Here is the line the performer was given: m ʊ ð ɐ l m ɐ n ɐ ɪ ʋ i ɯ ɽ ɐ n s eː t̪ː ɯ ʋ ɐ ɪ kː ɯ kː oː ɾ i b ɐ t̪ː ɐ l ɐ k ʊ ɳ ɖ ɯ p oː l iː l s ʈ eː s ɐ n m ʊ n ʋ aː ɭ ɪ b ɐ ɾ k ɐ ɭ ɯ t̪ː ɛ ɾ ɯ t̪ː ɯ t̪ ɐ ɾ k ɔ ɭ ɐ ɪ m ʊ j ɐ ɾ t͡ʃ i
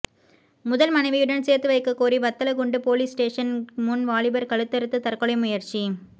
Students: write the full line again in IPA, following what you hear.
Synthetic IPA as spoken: m ʊ ð ɐ l m ɐ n ɐ ɪ ʋ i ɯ ɽ ɐ n s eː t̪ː ɯ ʋ ɐ ɪ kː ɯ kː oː ɾ i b ɐ t̪ː ɐ l ɐ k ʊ ɳ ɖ ɯ p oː l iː s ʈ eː ʂ ɐ n m ʊ n ʋ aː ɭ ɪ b ɐ ɾ k ɐ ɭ ɯ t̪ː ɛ ɾ ɯ t̪ː ɯ t̪ ɐ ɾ k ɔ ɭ ɐ ɪ m ʊ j ɐ ɾ t͡ʃ i